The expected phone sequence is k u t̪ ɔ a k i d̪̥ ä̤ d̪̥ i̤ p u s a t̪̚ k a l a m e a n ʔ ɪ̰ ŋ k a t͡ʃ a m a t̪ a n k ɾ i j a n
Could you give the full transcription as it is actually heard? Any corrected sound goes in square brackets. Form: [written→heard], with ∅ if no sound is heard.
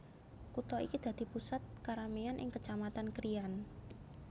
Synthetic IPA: k u t̪ ɔ [a→i] k i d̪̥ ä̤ d̪̥ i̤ p u s a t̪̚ k a [l→ɾ] a m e a n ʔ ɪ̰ ŋ k [a→ə] t͡ʃ a m a t̪ a n k ɾ i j a n